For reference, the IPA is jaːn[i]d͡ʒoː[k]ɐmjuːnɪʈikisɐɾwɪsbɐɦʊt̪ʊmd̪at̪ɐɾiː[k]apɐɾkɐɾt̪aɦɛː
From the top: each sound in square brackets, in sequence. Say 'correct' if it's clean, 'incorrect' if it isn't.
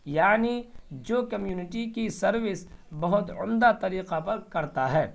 correct, correct, incorrect: q

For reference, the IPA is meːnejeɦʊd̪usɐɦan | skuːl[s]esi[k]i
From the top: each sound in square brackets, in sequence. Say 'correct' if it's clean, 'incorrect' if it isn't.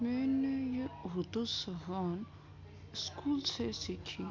correct, incorrect: kʰ

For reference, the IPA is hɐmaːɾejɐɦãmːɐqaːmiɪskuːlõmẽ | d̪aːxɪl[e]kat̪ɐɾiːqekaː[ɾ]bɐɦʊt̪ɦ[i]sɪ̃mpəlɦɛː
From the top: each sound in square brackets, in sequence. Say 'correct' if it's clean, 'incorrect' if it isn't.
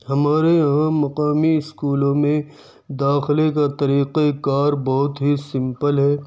correct, correct, correct

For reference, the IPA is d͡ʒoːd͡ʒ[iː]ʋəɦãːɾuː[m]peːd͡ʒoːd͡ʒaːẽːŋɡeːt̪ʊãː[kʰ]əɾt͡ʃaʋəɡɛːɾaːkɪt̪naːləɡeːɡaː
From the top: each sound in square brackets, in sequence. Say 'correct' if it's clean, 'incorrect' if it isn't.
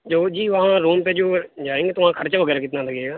correct, correct, correct

